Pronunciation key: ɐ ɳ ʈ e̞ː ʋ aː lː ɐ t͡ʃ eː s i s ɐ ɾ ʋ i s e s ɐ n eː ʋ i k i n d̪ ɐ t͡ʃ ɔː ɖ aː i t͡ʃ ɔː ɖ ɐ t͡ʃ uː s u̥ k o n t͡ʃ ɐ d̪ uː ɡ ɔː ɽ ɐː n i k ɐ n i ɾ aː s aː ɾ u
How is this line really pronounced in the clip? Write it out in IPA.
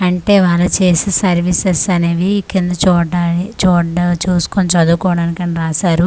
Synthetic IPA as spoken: ɐ ɳ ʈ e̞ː ʋ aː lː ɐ t͡ʃ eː s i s ɐ ɾ ʋ i s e s ɐ n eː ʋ i k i n d̪ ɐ t͡ʃ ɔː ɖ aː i t͡ʃ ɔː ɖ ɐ t͡ʃ uː s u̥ k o n t͡ʃ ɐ d̪ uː k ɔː ɽ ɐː n i k ɐ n i ɾ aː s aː ɾ u

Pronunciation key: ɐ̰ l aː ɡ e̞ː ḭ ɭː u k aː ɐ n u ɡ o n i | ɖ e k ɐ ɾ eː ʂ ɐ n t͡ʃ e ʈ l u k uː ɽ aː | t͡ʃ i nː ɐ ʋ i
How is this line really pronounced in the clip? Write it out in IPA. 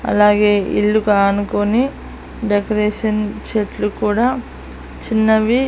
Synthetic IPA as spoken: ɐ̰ l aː ɡ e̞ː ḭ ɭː u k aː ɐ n u k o n i | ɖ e k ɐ ɾ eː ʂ ɐ n t͡ʃ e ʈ l u k uː ɽ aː | t͡ʃ i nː ɐ ʋ i

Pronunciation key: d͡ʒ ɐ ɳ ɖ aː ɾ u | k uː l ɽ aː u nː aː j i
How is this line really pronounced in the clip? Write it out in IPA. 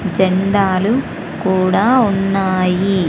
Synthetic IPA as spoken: d͡ʒ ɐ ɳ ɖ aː l u | k uː ɽ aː u nː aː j i

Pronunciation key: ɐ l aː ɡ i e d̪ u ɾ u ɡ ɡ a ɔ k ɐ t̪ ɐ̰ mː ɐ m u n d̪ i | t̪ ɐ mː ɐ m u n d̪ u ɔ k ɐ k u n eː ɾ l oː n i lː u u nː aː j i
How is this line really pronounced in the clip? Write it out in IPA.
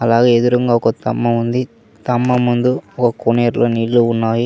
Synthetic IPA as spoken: ɐ l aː ɡ e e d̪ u ɾ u ŋ ɡ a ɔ k ɐ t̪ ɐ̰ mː ɐ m u n d̪ i | t̪ ɐ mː ɐ m u n d̪ u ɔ k ɐ k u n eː ɾ l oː n i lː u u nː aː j i

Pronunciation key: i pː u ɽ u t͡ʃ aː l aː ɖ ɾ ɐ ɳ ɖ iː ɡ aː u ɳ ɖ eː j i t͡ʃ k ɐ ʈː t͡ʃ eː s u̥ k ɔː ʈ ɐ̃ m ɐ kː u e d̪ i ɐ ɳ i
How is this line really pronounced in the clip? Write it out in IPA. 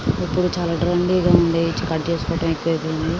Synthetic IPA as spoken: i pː u ɽ u t͡ʃ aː l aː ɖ ɾ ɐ ɳ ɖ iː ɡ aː u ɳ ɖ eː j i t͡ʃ k ɐ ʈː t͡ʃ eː s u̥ k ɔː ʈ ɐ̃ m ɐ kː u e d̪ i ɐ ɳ i

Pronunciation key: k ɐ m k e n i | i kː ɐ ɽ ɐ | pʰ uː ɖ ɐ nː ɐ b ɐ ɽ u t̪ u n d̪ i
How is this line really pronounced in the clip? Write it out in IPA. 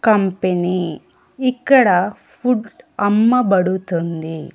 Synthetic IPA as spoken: k ɐ m p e n i | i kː ɐ ɽ ɐ | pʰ u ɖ ɐ mː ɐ b ɐ ɽ u t̪ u n d̪ i

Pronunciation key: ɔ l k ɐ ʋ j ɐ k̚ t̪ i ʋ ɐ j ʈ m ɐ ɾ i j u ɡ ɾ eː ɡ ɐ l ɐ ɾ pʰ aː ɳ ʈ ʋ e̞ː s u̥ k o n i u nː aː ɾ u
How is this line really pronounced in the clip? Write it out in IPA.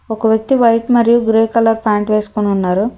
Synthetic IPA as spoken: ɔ k ɐ ʋ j ɐ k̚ t̪ i ʋ ɐ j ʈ m ɐ ɾ i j u ɡ ɾ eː k ɐ l ɐ ɾ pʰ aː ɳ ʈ ʋ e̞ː s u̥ k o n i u nː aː ɾ u

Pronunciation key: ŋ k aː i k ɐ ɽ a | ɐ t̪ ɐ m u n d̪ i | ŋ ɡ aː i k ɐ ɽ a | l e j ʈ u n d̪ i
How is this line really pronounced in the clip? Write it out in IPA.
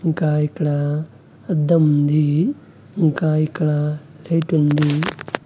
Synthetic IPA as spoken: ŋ k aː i k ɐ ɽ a | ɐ d̪ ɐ m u n d̪ i | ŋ k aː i k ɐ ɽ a | l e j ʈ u n d̪ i

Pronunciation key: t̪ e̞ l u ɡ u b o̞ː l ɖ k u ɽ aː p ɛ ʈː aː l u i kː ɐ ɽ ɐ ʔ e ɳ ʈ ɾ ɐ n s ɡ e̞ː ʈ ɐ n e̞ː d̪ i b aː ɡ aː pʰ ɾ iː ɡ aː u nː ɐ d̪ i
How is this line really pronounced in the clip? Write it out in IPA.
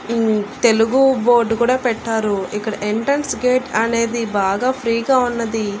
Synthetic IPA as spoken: t̪ e̞ l u ɡ u b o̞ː ɾ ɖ k uː ɽ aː p ɛ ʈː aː ɾ u i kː ɐ ɽ ɐ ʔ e ɳ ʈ ɾ ɐ n s ɡ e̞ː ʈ ɐ n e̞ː d̪ i b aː ɡ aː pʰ ɾ iː ɡ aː u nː ɐ d̪ i

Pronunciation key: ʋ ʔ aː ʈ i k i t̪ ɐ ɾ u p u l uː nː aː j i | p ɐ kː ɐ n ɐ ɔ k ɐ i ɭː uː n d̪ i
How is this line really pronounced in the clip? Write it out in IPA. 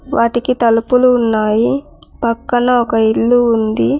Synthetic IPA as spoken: ʋ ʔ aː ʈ i k i t̪ ɐ l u p u l uː nː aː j i | p ɐ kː ɐ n ɐ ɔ k ɐ i ɭː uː n d̪ i

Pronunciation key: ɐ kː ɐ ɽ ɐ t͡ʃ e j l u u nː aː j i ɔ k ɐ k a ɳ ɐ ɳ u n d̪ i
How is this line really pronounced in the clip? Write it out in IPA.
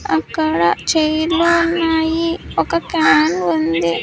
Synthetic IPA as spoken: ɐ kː ɐ ɽ ɐ t͡ʃ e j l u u nː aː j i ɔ k ɐ k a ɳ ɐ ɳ u n d̪ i

